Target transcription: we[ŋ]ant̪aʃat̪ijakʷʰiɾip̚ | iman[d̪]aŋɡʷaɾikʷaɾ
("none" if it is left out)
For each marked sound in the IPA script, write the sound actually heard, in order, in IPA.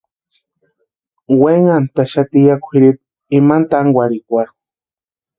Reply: ŋ, t̪

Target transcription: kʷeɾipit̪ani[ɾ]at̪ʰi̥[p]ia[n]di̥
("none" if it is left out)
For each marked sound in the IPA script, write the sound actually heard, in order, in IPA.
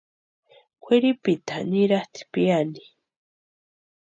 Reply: ɾ, p, n

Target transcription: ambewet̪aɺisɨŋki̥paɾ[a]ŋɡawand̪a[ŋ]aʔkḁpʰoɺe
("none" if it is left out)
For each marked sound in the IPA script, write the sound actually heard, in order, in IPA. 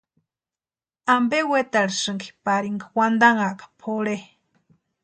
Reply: i, ŋ

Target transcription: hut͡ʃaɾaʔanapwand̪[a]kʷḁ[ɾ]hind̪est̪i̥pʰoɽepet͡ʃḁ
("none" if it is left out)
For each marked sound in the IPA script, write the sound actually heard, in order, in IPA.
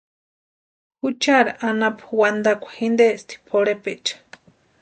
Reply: a, none

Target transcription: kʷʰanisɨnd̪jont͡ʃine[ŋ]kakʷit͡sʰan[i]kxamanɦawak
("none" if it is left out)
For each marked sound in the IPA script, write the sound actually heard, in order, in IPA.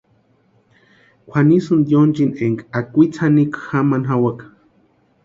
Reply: ŋ, i

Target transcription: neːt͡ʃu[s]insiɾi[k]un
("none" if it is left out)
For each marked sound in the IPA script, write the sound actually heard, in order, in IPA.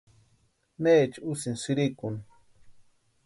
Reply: s, k

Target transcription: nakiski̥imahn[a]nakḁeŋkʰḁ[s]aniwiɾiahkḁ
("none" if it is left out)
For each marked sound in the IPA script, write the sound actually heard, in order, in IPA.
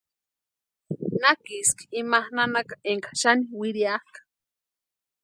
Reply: a, ʃ

